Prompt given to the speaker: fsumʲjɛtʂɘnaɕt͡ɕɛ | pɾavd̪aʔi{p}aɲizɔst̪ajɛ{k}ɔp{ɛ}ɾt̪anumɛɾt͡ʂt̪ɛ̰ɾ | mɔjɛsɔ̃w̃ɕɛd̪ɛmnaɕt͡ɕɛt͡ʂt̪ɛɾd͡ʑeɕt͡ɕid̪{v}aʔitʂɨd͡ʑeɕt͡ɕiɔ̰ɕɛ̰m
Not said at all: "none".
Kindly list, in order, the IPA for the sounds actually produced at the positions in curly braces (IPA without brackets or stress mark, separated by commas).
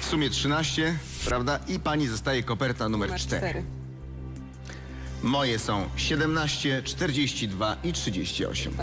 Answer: p, k, ɛ, v